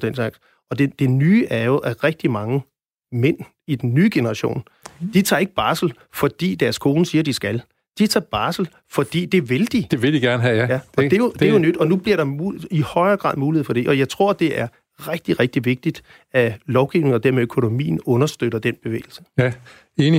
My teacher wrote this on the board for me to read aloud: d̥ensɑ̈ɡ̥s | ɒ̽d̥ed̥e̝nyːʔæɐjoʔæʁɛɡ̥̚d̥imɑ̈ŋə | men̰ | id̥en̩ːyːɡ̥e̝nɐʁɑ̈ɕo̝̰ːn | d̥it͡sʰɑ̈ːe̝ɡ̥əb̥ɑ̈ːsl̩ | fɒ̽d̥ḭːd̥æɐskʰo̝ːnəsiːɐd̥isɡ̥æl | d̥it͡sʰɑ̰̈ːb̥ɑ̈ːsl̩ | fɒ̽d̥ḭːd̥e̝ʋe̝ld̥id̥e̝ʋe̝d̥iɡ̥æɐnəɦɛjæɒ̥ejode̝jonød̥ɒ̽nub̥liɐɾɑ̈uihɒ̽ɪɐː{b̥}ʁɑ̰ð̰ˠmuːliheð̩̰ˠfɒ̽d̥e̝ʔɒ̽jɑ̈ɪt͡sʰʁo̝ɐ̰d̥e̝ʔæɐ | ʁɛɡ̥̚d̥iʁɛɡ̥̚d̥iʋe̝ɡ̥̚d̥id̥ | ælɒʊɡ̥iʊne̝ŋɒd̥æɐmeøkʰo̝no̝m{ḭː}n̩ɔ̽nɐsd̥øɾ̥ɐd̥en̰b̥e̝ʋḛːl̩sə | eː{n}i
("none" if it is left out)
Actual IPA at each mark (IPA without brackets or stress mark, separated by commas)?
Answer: ɡ̥, ḭː, n